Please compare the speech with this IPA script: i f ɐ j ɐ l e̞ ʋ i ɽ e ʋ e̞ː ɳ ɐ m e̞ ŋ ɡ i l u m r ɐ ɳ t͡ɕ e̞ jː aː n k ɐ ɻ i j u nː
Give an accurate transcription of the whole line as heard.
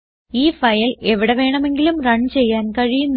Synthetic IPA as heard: iː f ɐ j ɐ l e̞ ʋ i ɽ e ʋ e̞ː ɳ ɐ m e̞ ŋ ɡ i l u m r ɐ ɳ t͡ɕ e̞ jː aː n k ɐ ɻ i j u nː